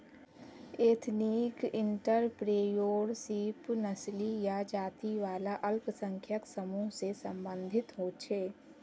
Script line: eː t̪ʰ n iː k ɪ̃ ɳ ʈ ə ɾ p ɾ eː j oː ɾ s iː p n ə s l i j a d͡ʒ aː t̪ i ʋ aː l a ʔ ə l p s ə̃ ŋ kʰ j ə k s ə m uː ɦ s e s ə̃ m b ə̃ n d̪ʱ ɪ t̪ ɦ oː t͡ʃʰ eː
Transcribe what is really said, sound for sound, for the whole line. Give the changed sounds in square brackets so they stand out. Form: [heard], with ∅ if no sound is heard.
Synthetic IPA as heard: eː t̪ʰ n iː k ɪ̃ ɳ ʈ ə ɾ p ɾ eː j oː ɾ s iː p n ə s l i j a d͡ʒ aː t̪ i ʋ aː l a ʔ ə l p s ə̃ ŋ kʰ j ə k s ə m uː ɦ s e s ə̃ m b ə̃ n d̪ʱ ɪ t̪ ɦ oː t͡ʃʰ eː